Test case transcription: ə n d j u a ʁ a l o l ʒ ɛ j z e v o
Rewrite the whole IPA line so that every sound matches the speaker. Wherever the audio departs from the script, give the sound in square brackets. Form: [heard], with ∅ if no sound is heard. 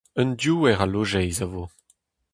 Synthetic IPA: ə n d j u [ɛ] ʁ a l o [∅] ʒ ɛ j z [a] v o